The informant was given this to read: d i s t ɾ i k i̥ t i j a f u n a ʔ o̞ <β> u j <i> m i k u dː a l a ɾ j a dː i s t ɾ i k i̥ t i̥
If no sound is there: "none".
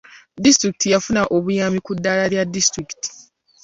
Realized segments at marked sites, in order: β, a

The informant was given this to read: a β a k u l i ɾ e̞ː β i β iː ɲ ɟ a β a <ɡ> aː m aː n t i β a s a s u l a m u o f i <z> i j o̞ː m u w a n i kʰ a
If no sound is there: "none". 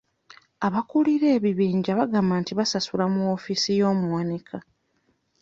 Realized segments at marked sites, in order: ɡ, s

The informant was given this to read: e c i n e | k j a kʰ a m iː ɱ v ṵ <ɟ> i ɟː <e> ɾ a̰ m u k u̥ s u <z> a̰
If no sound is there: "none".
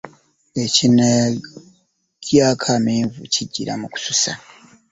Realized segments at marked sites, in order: c, i, s

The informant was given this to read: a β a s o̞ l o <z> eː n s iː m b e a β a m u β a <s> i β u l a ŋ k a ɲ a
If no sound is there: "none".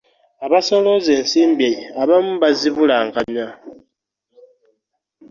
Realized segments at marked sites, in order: z, z

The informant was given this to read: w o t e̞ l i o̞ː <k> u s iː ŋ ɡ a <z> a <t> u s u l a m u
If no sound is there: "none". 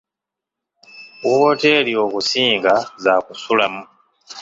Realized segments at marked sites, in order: k, z, k

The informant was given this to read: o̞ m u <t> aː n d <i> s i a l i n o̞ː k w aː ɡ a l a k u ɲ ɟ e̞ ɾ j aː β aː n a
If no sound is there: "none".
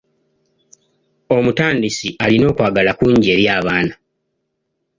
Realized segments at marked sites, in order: t, i

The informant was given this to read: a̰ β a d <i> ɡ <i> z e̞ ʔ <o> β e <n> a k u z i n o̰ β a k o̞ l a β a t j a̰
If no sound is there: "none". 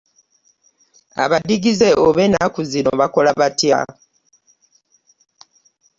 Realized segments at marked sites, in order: i, i, o, n

